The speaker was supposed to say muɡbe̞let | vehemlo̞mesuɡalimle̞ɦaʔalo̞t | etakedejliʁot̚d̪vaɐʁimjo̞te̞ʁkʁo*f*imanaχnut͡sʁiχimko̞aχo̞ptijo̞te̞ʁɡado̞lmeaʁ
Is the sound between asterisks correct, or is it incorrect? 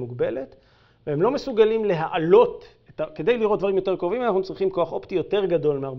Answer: incorrect